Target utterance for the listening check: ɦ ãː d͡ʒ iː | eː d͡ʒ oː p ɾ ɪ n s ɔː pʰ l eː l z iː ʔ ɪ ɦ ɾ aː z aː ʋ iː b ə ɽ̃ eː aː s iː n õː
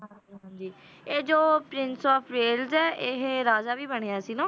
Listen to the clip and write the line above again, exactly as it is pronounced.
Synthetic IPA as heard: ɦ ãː d͡ʒ iː | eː d͡ʒ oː p ɾ ɪ n s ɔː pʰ ɾ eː l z ɛː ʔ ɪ ɦ ɾ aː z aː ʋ iː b ə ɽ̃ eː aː s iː n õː